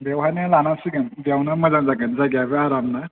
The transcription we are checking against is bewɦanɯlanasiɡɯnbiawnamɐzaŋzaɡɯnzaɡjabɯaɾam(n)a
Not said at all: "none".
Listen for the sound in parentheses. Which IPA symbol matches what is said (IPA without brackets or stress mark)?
n